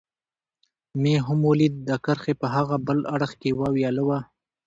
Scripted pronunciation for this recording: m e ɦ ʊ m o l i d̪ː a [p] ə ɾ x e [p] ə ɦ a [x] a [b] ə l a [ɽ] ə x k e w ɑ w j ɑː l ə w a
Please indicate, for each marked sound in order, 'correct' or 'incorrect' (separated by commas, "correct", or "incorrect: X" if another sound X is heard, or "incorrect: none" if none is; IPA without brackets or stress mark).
incorrect: k, correct, incorrect: ɣ, correct, correct